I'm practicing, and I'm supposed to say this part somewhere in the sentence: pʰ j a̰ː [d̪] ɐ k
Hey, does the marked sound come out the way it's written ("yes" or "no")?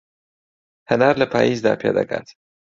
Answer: yes